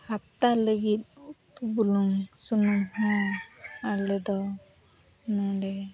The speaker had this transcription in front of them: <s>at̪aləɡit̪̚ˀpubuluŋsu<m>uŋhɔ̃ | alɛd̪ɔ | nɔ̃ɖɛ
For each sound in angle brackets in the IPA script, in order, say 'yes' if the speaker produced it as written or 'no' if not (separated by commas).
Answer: no, no